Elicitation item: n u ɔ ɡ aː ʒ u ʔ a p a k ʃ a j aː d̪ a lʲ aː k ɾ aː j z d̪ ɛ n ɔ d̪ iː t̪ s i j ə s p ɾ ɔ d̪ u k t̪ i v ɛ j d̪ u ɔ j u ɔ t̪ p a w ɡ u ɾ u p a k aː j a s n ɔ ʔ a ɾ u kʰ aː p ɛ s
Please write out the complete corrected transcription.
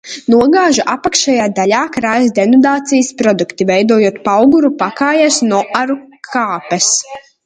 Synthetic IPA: n u ɔ ɡ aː ʒ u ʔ a p a k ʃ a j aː d̪ a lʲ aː k ɾ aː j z d̪ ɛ n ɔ d̪ aː t̪ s i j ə s p ɾ ɔ d̪ u k t̪ i v ɛ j d̪ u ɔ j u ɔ t̪ p a w ɡ u ɾ u p a k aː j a s n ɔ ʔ a ɾ u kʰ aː p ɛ s